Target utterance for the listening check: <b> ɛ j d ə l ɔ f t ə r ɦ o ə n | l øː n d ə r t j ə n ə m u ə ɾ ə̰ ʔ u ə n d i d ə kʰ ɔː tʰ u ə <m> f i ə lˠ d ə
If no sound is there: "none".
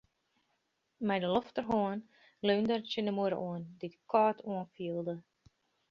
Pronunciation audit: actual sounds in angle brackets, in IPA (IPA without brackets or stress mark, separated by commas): m, n